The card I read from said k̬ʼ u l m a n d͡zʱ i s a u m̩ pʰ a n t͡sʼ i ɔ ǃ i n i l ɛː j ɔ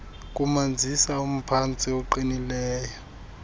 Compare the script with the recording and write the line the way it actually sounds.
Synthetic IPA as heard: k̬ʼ u m a n d͡zʱ i s a u m̩ pʰ a n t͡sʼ i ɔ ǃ i n i l ɛː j ɔ